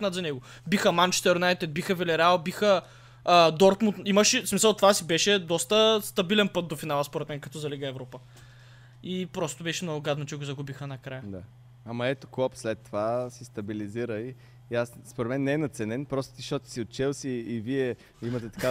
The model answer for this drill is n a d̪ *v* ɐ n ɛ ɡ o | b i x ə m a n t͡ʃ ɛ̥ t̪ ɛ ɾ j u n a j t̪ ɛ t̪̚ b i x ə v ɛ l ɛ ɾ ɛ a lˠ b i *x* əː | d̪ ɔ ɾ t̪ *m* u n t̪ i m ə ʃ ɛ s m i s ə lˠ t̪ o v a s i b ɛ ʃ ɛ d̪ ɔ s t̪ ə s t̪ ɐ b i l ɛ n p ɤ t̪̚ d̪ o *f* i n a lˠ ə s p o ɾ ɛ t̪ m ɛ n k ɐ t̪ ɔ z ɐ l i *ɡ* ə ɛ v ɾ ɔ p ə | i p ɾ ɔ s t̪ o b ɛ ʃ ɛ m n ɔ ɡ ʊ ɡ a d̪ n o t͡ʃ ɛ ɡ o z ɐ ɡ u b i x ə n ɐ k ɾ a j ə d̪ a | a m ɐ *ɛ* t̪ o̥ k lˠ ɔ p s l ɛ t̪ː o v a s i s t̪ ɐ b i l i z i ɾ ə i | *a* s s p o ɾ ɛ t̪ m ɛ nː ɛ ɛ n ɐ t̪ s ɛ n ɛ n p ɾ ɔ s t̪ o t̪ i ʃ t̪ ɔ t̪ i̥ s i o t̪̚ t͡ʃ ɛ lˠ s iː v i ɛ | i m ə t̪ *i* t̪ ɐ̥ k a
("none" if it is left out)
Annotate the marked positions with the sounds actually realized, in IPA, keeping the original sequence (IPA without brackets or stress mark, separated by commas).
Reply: z, x, m, f, ɡ, ɛ, a, ɛ